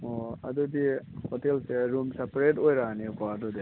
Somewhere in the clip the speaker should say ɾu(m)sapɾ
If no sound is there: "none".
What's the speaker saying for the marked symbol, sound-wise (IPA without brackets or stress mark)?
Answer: m